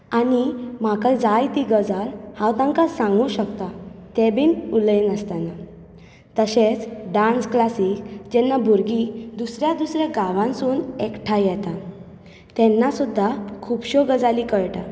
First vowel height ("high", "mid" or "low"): low